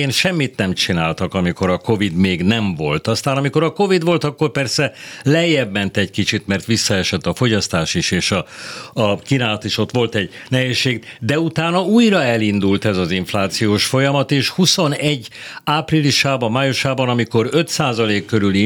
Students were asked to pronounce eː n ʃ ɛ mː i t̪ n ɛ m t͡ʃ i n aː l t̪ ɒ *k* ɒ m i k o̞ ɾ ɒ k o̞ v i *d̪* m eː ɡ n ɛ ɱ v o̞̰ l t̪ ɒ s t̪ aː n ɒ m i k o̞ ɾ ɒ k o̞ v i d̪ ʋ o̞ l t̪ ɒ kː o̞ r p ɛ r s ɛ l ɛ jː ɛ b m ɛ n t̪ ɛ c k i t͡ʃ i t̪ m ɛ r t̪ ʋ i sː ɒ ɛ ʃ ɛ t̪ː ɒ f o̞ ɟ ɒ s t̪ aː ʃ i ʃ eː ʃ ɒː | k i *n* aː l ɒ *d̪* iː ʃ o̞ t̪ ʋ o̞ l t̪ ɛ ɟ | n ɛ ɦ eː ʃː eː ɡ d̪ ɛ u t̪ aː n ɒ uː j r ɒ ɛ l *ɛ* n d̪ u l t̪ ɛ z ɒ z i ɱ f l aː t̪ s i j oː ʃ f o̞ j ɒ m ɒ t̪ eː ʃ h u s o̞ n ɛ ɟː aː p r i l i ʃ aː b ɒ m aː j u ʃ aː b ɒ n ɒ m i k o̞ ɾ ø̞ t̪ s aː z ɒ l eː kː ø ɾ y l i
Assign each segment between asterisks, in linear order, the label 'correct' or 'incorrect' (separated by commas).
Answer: correct, correct, correct, incorrect, incorrect